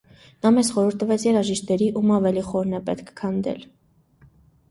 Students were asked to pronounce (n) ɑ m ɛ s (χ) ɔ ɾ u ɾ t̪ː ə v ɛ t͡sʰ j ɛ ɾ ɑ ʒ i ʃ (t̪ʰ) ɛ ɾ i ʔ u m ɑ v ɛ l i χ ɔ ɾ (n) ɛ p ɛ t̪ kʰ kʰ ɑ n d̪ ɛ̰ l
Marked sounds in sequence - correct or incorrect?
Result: correct, correct, incorrect: t̪, correct

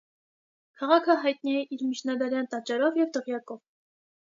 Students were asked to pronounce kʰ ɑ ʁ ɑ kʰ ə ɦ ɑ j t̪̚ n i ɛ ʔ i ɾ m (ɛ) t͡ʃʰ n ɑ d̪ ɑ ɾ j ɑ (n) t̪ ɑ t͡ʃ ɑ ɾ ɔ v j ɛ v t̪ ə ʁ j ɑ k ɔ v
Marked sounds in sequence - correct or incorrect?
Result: incorrect: i, correct

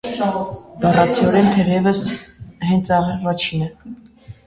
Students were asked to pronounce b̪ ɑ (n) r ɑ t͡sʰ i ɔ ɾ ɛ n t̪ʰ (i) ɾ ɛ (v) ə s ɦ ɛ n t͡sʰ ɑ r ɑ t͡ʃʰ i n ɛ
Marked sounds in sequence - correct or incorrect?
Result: incorrect: none, incorrect: ɛ, correct

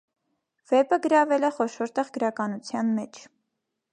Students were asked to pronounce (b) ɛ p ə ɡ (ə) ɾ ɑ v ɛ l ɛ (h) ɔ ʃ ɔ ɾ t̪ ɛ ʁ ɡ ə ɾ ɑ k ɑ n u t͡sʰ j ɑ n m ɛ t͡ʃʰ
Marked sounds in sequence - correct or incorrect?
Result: incorrect: v, correct, incorrect: χ

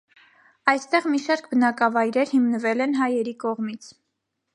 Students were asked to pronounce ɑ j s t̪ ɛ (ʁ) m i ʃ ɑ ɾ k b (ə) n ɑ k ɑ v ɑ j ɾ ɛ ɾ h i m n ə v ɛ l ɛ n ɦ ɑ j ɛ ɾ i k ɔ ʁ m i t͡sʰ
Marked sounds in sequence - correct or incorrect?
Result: correct, correct

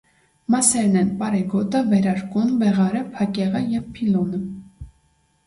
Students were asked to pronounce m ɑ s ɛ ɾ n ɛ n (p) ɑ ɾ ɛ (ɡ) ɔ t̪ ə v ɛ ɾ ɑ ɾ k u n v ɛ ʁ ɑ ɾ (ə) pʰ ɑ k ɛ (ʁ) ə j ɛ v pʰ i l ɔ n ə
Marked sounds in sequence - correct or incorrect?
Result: correct, correct, correct, correct

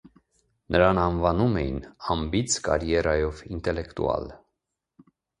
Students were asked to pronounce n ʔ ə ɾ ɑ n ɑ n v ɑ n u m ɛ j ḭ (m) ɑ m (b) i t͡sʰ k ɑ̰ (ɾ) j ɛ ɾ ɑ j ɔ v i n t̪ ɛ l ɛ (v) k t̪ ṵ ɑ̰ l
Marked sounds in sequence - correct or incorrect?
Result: incorrect: n, correct, correct, incorrect: none

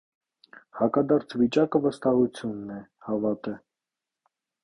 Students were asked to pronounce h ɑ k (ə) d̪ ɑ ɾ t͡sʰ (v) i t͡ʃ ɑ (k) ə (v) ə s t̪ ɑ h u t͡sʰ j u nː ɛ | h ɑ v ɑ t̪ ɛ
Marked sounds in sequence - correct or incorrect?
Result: incorrect: ɑ, correct, correct, correct

